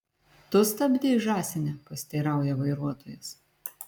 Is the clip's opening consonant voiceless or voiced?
voiceless